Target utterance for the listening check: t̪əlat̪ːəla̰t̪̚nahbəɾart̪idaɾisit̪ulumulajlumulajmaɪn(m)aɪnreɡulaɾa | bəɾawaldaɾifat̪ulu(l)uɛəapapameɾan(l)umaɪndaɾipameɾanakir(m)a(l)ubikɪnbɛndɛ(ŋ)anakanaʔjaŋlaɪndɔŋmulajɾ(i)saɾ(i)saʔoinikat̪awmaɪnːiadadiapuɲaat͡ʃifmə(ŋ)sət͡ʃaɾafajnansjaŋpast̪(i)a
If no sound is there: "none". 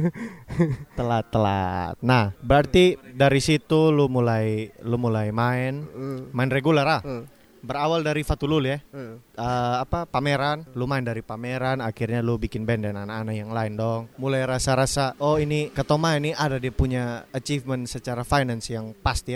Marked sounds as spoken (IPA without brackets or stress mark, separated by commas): m, l, l, ɲ, l, n, a, a, n, i